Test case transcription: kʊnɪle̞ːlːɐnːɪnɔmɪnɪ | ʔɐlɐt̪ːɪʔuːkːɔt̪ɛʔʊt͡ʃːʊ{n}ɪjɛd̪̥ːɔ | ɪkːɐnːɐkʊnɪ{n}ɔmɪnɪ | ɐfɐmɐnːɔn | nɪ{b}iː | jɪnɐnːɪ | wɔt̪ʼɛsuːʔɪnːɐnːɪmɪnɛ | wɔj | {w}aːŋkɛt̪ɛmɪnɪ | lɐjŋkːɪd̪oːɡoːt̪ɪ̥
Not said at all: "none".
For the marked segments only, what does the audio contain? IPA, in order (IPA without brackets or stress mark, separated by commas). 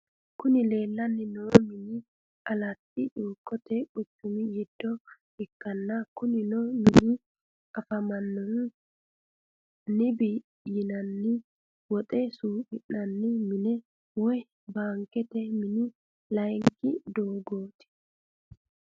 m, n, b, b